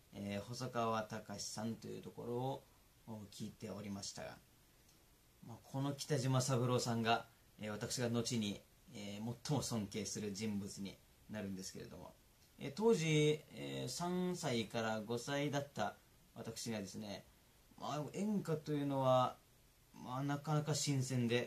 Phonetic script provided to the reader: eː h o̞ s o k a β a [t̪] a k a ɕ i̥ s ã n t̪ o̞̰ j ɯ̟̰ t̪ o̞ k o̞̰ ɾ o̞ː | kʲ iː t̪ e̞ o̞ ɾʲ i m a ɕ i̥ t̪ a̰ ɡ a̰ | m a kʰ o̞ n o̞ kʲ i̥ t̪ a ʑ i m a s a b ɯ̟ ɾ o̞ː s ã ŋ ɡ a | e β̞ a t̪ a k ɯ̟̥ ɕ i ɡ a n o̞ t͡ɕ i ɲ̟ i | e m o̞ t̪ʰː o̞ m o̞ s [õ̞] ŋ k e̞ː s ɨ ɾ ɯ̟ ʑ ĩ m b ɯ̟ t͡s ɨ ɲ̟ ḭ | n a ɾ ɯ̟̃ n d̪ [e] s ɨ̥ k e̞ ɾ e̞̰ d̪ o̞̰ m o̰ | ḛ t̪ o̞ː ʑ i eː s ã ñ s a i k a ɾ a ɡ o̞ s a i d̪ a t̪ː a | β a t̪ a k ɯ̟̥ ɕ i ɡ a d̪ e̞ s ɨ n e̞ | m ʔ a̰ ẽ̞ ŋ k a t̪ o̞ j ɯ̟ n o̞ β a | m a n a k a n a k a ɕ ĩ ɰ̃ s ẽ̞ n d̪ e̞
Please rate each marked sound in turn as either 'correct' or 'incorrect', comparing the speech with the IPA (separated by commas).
correct, correct, correct